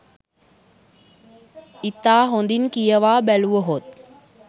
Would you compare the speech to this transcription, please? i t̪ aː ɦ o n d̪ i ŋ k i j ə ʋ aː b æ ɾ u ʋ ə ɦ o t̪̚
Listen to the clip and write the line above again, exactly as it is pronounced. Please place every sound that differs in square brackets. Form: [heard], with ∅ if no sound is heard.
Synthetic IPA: i t̪ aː ɦ o n d̪ i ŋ k i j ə ʋ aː b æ [l] u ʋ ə ɦ o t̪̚